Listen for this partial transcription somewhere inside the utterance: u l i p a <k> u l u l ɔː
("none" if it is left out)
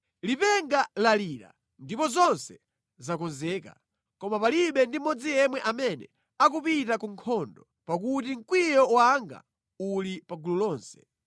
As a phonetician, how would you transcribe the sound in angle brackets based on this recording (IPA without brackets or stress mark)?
ɡ